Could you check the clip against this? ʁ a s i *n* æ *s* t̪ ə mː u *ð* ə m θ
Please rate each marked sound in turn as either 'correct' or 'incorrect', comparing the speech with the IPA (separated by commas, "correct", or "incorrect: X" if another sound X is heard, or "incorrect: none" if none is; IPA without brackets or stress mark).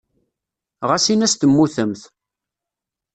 correct, correct, incorrect: θ